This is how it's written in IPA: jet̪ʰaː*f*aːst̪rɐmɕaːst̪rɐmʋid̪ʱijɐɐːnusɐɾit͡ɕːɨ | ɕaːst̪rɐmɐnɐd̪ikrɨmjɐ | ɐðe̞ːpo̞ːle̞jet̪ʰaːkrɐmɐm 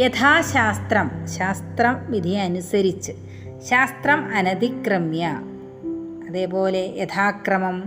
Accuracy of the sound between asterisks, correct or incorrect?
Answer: incorrect